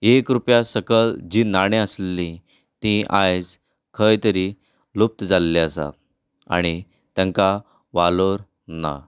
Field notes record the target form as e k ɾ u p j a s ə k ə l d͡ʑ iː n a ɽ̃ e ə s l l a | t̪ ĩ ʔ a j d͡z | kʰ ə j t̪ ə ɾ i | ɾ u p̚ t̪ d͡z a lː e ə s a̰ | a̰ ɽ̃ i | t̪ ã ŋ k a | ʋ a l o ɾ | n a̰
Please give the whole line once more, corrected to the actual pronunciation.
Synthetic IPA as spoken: e k ɾ u p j a s ə k ə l d͡ʑ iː n a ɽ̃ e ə s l l i | t̪ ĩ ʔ a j d͡z | kʰ ə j t̪ ə ɾ i | l u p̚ t̪ d͡z a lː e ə s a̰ | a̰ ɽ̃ i | t̪ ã ŋ k a | ʋ a l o ɾ | n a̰